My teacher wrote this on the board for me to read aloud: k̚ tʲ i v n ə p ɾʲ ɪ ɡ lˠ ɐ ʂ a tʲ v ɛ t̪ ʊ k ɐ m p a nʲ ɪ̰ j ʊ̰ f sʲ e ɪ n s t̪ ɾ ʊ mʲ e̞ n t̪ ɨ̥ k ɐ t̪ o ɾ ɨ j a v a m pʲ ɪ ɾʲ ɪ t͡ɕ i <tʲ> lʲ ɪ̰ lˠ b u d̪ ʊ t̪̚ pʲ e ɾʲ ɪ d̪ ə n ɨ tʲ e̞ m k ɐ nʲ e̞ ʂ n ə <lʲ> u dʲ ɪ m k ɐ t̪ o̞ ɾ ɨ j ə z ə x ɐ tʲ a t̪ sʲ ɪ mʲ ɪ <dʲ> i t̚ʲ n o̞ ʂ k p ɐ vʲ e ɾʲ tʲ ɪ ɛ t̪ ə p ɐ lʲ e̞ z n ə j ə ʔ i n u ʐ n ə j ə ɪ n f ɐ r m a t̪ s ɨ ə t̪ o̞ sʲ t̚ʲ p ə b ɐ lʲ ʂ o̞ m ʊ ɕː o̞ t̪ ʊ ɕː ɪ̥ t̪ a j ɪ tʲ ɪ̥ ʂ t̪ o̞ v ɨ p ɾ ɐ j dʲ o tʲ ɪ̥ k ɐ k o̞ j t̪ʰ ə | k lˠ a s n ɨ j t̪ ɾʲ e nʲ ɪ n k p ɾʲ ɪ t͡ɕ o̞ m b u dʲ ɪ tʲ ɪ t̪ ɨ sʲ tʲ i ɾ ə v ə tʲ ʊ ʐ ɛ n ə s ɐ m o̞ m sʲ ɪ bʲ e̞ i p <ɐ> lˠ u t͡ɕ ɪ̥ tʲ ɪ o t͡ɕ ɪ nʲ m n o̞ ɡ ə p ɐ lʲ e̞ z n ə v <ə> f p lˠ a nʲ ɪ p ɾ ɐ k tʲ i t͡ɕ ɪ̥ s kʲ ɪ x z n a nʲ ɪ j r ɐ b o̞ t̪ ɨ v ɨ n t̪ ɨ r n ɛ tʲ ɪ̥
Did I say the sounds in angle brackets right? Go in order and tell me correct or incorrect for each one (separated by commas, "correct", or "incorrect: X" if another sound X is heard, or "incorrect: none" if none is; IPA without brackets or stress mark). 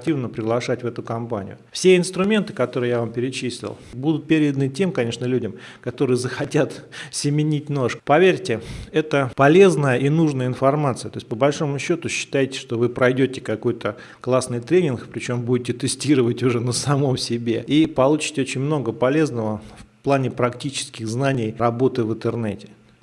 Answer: incorrect: sʲ, correct, incorrect: nʲ, correct, correct